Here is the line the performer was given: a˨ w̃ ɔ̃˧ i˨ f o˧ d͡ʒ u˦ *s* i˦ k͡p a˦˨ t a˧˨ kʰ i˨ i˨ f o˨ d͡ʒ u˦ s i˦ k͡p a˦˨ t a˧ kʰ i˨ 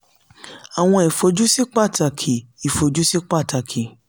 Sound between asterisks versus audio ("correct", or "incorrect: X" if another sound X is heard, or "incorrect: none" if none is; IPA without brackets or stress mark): correct